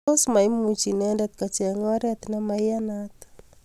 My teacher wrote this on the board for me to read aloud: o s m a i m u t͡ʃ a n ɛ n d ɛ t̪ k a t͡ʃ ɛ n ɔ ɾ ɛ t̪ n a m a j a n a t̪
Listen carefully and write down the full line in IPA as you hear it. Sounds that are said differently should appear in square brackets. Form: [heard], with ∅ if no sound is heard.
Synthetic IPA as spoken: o s m a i m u t͡ʃ [i] n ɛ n d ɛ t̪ k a t͡ʃ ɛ [ŋ] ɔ ɾ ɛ t̪ n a m a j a n a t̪

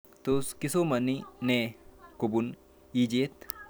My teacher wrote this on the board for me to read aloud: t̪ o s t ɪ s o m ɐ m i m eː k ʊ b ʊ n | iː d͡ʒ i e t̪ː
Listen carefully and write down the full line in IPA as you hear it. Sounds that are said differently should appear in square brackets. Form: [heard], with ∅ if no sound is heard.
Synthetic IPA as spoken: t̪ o s [k] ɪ s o m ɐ [n] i [n] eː k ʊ b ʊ n | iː d͡ʒ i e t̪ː

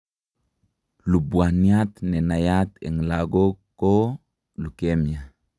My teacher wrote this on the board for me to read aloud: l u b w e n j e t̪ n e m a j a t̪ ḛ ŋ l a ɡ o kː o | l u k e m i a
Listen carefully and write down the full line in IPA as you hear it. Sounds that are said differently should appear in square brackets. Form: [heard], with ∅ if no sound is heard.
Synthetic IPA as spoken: l u b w [a] n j [a] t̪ n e [n] a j a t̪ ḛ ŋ l a ɡ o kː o | l u k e m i a

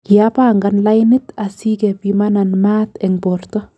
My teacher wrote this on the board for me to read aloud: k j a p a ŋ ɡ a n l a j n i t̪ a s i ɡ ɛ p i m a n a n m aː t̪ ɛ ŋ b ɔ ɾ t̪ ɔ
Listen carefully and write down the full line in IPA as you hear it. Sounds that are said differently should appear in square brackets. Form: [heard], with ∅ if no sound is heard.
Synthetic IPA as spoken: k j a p a ŋ ɡ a n l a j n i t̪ a s i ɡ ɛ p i m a n a n m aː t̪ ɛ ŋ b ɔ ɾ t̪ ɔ

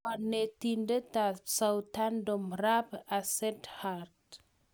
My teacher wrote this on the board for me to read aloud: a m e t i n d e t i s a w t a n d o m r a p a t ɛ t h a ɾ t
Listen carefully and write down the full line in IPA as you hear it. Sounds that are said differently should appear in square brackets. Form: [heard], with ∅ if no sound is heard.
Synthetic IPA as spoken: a [n] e t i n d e t [a] s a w t a n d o m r a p a [s] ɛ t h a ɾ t

